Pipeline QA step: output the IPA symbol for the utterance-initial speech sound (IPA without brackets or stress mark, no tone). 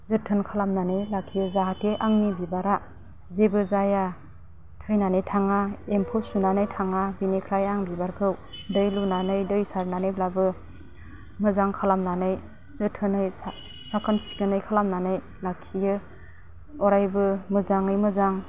z